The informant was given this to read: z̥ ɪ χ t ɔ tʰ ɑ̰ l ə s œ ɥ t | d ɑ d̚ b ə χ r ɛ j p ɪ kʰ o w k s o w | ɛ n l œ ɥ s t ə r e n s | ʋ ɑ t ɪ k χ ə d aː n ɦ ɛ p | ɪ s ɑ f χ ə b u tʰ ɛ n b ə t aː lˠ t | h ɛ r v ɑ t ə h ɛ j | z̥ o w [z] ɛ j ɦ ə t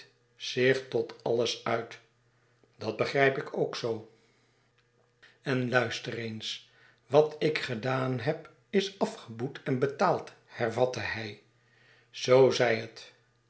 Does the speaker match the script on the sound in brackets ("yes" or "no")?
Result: yes